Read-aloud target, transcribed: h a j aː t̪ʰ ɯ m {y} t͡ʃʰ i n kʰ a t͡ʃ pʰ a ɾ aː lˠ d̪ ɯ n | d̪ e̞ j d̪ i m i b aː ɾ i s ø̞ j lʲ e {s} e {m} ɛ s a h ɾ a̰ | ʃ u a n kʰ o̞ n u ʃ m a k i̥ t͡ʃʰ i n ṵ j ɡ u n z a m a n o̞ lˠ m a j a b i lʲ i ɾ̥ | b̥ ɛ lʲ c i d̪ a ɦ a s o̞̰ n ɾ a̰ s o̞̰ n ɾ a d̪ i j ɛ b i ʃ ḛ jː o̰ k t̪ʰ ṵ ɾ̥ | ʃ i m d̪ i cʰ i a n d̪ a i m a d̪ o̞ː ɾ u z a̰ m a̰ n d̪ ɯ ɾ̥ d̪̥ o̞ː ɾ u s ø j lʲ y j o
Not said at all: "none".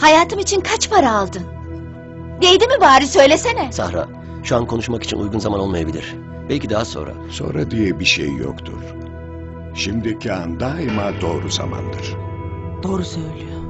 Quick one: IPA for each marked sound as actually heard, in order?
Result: i, s, n

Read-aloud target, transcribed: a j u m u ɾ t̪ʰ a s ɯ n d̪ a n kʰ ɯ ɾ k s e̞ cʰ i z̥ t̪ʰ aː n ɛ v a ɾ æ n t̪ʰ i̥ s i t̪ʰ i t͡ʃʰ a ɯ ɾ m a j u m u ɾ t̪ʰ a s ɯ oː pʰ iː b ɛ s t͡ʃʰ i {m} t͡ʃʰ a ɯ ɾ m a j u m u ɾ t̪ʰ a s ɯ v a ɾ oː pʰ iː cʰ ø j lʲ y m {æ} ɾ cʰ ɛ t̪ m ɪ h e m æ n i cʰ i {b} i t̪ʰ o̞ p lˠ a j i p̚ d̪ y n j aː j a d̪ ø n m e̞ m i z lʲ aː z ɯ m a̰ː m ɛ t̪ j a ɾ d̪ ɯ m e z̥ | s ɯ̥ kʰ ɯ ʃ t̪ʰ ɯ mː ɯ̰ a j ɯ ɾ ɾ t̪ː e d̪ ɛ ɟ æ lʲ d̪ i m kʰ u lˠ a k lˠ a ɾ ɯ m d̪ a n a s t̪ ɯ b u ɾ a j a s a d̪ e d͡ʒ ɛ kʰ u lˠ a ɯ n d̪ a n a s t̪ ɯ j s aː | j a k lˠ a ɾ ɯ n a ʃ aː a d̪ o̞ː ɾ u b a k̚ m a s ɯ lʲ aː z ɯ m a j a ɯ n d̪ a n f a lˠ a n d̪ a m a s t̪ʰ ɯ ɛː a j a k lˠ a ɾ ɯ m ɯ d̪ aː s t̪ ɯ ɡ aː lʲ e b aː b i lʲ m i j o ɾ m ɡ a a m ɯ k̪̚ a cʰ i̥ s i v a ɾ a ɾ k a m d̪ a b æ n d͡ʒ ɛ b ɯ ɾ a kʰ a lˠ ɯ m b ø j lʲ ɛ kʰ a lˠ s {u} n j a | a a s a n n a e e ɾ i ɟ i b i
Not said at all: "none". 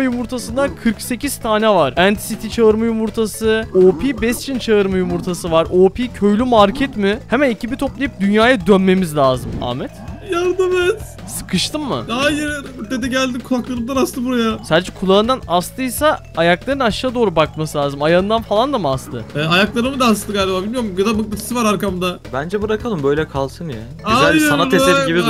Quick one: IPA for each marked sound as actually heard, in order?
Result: n, a, b, ɯ

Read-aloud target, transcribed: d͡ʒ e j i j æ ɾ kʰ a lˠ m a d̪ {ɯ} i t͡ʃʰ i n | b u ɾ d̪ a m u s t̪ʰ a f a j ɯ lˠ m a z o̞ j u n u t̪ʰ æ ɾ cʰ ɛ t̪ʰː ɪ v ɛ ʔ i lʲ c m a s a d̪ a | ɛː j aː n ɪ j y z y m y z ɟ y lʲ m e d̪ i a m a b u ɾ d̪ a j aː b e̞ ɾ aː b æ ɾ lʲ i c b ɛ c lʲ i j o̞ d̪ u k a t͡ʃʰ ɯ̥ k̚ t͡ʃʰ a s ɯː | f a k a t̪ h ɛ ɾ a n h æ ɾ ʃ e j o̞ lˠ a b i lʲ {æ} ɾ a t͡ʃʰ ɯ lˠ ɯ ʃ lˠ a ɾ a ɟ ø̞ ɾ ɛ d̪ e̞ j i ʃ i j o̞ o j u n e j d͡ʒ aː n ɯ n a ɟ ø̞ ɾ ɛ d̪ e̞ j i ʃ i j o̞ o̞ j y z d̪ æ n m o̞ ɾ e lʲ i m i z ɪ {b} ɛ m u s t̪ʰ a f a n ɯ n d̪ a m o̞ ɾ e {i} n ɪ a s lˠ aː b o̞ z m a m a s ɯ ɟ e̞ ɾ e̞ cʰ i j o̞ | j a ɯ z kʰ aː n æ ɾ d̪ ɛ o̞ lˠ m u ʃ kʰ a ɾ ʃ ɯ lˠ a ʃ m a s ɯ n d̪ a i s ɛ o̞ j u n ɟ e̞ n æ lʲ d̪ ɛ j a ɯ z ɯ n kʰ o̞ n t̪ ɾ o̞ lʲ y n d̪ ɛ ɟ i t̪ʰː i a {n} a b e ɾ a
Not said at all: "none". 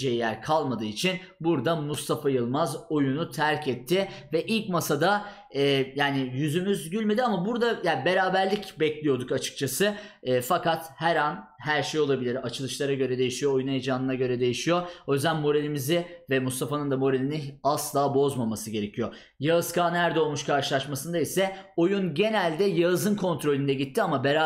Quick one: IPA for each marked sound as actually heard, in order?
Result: ɯː, i, v, i, m

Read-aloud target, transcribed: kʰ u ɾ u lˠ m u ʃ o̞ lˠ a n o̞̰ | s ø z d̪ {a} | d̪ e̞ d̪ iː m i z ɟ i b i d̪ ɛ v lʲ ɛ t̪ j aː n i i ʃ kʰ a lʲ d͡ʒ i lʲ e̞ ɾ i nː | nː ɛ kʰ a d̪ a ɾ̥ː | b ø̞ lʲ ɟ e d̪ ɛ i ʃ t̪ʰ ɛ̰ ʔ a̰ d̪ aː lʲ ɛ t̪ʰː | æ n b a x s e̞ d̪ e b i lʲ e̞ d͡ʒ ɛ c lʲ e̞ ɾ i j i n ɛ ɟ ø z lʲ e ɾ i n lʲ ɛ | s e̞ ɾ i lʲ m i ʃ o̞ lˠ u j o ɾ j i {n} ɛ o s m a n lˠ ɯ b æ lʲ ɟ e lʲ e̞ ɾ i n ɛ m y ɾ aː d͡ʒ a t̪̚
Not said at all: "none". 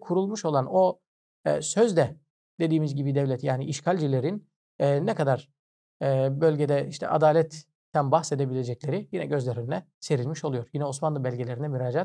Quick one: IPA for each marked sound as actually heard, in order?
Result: ɛ, n

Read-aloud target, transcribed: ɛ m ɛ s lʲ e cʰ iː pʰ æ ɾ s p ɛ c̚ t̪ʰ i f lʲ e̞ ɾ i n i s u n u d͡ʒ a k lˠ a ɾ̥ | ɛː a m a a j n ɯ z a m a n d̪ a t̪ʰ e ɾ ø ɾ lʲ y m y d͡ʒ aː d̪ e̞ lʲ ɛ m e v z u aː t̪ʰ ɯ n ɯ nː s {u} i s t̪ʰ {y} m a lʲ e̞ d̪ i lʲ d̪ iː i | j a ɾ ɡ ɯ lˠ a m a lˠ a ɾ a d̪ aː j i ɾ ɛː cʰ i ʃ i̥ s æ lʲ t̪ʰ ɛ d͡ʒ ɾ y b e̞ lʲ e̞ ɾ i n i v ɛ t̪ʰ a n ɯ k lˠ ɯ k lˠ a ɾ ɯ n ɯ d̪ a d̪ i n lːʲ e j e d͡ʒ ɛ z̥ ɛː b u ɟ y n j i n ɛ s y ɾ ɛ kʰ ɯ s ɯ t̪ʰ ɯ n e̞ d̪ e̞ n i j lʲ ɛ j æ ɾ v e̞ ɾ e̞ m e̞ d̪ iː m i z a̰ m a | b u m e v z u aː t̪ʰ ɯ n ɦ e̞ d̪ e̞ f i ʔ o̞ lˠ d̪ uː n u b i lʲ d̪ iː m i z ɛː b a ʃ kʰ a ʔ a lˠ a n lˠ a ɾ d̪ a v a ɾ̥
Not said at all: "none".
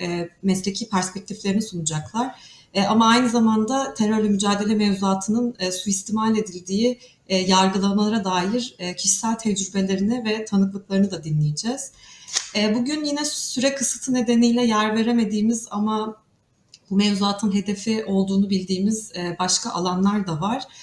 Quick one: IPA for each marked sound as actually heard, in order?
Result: u, i

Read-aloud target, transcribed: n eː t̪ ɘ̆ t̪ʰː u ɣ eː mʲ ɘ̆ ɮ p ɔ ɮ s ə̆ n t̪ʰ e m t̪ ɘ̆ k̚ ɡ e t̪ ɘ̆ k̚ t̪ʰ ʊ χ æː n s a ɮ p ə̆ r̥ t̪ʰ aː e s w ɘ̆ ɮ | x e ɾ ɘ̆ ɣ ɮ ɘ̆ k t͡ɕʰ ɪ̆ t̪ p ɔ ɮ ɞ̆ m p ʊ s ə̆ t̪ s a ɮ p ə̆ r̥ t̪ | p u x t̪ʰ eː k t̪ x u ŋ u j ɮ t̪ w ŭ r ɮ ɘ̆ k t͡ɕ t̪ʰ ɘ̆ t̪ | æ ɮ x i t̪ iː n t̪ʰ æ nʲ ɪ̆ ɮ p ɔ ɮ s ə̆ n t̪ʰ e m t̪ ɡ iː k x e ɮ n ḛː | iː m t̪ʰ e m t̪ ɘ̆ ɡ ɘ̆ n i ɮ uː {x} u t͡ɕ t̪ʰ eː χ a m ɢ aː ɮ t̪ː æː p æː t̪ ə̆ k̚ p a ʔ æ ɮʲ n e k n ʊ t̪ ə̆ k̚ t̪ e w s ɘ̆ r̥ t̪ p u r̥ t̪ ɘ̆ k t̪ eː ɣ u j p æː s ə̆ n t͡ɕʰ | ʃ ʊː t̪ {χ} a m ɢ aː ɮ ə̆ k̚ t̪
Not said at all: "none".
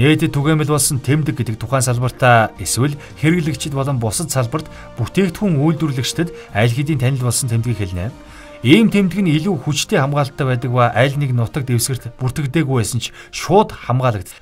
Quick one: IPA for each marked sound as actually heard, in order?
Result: x, χ

